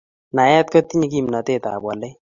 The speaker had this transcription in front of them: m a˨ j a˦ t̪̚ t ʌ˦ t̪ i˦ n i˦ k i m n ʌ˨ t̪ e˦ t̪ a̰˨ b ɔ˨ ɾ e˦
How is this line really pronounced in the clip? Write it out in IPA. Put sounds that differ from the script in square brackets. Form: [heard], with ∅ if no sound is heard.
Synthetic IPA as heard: [n] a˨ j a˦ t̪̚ [k] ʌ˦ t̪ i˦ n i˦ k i m n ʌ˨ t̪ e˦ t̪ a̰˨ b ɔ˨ [l] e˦